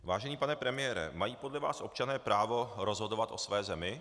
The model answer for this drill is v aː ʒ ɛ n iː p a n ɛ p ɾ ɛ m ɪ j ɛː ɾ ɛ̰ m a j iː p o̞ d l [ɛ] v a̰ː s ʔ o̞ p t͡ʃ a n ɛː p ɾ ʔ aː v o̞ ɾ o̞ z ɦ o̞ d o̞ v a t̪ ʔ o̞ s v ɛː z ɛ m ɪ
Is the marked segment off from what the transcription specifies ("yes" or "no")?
no